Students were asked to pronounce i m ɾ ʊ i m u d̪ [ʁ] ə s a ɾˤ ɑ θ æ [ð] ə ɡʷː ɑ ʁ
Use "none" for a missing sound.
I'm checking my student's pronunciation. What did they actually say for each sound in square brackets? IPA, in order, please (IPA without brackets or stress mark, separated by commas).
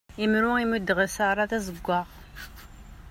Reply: ʁ, z